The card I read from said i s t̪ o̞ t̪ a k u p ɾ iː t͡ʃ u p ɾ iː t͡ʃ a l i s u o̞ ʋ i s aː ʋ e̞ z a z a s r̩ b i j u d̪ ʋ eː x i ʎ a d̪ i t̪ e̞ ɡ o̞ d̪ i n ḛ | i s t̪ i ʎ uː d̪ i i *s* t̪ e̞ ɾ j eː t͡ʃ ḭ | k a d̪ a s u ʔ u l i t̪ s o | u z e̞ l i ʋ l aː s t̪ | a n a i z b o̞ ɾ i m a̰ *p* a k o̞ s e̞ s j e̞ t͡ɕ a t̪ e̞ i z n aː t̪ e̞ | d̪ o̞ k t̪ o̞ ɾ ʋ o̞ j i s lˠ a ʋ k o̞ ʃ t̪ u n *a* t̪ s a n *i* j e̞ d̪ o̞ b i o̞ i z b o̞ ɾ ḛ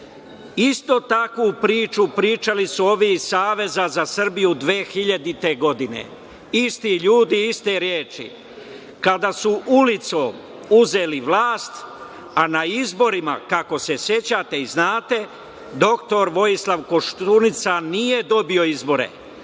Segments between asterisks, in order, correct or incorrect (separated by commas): correct, incorrect, incorrect, correct